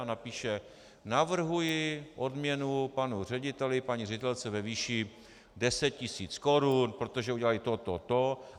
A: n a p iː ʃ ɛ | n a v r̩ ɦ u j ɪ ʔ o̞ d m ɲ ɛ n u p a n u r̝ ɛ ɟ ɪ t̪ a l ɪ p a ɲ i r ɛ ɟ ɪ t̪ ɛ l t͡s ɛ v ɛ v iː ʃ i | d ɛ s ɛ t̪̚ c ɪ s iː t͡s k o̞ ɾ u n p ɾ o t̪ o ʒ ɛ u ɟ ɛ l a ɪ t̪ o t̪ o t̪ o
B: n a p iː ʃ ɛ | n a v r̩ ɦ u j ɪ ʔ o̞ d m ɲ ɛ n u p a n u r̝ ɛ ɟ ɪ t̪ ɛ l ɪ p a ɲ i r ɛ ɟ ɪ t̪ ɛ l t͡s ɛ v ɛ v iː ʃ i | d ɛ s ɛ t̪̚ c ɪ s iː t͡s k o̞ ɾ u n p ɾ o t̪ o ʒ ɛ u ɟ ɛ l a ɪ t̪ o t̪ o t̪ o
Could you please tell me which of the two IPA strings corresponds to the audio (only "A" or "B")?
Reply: B